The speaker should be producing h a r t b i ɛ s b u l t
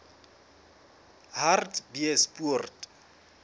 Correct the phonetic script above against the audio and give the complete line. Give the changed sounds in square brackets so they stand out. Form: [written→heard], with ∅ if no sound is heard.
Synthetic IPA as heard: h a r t b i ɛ s [b→p] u [l→r] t